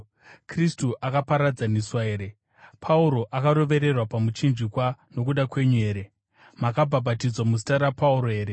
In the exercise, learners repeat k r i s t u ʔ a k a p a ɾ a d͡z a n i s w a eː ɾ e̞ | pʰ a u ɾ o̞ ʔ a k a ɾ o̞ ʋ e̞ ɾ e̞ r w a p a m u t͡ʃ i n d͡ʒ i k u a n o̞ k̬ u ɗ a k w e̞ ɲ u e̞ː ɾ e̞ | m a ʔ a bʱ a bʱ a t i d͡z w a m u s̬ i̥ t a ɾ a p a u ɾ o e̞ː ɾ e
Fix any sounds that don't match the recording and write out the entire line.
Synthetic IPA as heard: k r i s t u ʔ a k a p a ɾ a d͡z a n i s w a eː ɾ e̞ | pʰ a u ɾ o̞ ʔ a k a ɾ o̞ ʋ e̞ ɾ e̞ r w a p a m u t͡ʃ i n d͡ʒ i k w a n o̞ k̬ u ɗ a k w e̞ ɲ u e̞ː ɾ e̞ | m a k a bʱ a bʱ a t i d͡z w a m u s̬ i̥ t a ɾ a p a u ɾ o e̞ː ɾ e